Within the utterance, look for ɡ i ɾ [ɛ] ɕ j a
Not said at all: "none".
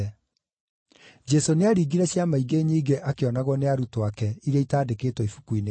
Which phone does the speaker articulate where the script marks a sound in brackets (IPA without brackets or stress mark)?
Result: ɛ